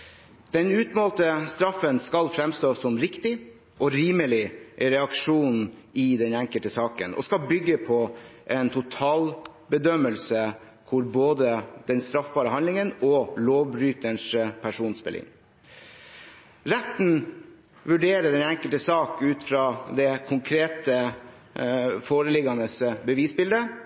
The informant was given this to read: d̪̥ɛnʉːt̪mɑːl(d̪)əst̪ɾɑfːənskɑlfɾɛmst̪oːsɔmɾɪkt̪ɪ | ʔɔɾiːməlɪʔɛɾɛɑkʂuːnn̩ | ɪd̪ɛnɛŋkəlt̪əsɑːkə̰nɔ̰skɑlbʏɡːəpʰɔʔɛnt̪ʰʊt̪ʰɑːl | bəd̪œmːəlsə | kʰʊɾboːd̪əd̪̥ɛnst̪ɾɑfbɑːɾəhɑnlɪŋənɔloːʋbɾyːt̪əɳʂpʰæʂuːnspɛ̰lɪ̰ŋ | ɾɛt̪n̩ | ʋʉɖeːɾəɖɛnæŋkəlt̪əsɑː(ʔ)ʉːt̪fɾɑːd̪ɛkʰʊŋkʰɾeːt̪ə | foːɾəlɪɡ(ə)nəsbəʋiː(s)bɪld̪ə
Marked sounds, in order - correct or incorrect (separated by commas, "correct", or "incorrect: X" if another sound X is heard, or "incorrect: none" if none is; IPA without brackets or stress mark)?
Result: incorrect: t̪, incorrect: k, incorrect: ɑ, correct